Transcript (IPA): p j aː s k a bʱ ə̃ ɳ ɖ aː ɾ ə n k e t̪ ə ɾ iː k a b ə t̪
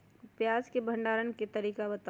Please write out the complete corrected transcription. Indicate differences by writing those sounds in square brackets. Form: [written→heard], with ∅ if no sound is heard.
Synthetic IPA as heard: p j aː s k [a→e] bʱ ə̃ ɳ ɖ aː ɾ ə n k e t̪ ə ɾ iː k a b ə t̪